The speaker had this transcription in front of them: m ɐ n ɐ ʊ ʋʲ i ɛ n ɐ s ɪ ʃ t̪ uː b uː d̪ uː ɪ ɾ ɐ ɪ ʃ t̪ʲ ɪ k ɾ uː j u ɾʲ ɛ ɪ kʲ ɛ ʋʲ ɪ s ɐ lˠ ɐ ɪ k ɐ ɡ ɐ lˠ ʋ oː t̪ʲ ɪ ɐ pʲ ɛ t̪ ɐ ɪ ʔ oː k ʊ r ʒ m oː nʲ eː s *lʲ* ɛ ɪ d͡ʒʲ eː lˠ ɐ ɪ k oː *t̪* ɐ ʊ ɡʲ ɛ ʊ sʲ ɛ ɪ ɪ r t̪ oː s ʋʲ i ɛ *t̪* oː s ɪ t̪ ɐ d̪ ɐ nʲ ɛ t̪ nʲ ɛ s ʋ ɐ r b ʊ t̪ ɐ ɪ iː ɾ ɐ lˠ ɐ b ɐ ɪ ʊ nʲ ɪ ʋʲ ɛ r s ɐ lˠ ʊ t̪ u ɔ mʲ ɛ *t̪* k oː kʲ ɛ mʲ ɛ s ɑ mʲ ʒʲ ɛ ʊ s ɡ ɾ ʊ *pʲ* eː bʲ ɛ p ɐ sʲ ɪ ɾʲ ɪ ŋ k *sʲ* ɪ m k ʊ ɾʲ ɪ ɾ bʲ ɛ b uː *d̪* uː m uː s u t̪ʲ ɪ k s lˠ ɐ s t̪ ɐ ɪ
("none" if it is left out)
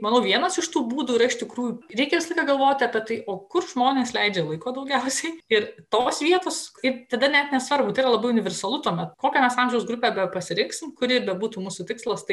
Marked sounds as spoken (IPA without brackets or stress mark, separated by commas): lʲ, d̪, t̪, t̪, pʲ, sʲ, t̪